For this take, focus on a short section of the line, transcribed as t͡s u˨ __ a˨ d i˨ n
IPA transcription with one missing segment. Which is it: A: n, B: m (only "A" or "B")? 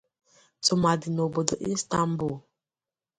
B